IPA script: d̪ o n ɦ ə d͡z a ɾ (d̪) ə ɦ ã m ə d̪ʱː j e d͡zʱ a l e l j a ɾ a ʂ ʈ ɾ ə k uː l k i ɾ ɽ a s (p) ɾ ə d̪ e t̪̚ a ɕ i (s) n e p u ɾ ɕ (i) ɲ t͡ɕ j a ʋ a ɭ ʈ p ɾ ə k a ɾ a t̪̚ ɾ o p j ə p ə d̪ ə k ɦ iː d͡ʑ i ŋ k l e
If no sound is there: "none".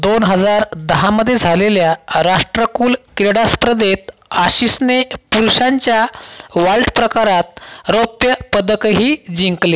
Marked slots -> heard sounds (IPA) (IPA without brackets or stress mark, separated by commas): d̪, p, s, a